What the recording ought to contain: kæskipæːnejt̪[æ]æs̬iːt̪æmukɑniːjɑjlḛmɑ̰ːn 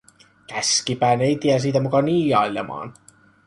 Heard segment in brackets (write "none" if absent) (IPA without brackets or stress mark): i